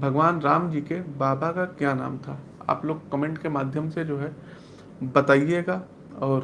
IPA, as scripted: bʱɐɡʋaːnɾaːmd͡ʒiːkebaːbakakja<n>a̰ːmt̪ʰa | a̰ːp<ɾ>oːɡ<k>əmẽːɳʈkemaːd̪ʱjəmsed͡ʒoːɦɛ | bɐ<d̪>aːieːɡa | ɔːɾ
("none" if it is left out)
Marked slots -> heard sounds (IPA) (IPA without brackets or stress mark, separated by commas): n, l, k, t̪